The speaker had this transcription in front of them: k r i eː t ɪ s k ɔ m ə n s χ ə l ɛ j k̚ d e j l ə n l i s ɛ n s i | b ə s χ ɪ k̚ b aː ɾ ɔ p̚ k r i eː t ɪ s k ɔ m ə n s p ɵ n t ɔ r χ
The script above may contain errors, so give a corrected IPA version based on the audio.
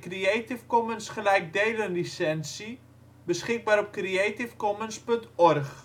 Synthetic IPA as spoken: k r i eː t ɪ f k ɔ m ə n s χ ə l ɛ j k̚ d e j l ə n l i s ɛ n s i | b ə s χ ɪ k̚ b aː ɾ ɔ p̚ k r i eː t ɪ f k ɔ m ə n s p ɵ n t ɔ r χ